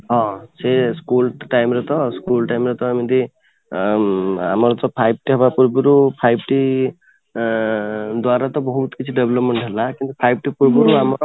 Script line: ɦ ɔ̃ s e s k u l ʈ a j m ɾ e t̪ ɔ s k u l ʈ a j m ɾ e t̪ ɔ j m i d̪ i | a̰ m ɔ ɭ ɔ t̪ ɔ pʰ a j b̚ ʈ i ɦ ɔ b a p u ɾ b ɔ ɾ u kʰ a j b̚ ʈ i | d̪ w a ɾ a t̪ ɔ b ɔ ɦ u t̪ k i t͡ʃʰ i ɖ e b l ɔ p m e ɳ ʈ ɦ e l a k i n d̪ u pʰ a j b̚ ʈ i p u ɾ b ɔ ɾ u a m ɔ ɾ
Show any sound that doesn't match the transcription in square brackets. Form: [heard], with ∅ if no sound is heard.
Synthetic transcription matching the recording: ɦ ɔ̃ s e s k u l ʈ a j m ɾ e t̪ ɔ s k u l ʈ a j m ɾ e t̪ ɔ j m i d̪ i | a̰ m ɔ [ɾ] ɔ t̪ ɔ pʰ a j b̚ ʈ i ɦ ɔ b a p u ɾ b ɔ ɾ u [pʰ] a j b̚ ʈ i | d̪ w a ɾ a t̪ ɔ b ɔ ɦ u t̪ k i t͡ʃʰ i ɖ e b l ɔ p m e ɳ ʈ ɦ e l a k i n [t̪] u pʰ a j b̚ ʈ i p u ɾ b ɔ ɾ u a m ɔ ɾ